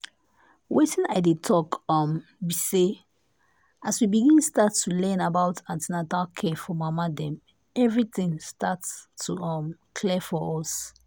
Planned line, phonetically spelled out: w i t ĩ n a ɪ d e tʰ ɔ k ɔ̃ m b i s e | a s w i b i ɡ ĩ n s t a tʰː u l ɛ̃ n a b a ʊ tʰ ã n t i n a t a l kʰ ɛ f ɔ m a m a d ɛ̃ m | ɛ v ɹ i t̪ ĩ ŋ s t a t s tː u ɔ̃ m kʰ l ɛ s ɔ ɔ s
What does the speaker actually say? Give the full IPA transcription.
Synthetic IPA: w e t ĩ n a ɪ d e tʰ ɔ k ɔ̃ m b i s e | a s w i b i ɡ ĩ n s t a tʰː u l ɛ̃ n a b a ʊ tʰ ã n t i n a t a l kʰ ɛ f ɔ m a m a d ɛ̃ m | ɛ v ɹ i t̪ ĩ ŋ s t a t s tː u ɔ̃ m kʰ l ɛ f ɔ ɔ s